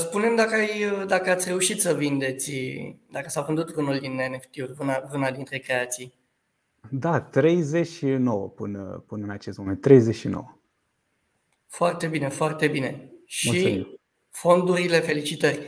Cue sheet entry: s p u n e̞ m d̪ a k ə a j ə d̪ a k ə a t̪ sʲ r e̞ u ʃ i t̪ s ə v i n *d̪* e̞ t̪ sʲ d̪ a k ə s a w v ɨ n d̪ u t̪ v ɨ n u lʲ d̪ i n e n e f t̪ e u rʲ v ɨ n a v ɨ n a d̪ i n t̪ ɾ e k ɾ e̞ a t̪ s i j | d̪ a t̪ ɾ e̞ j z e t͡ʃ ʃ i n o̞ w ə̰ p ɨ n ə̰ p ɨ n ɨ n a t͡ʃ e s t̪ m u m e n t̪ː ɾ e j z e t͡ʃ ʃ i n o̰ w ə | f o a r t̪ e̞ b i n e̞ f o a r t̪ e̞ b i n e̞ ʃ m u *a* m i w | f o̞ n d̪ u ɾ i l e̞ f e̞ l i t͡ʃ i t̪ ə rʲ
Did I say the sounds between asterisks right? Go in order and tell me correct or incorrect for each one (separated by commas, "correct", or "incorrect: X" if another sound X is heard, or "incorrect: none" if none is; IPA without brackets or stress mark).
correct, incorrect: i